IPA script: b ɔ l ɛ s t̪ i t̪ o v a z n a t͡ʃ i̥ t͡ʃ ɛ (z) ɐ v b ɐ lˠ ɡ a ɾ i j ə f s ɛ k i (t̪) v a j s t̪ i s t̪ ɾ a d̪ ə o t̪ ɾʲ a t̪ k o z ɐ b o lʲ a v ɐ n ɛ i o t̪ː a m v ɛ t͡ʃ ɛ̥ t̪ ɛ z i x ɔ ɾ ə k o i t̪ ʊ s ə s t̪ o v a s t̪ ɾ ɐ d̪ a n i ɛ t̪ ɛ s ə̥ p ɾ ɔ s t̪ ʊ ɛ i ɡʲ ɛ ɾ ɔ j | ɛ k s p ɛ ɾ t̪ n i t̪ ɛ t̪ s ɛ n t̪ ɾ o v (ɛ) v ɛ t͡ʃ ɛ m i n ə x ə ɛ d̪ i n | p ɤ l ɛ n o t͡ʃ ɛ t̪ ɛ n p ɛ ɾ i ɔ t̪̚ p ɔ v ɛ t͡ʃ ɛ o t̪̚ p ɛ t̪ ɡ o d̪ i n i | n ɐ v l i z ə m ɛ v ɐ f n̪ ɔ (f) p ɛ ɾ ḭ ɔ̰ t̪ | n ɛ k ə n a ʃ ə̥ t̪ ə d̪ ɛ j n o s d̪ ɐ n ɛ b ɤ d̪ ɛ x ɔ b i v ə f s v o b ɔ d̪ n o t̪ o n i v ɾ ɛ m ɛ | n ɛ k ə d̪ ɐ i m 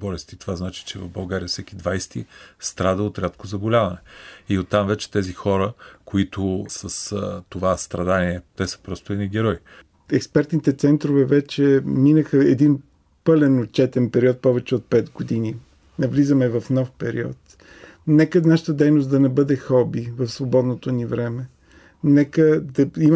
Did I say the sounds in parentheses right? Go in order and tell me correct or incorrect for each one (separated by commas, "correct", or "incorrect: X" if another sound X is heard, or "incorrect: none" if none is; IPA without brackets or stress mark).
incorrect: v, incorrect: d̪, correct, correct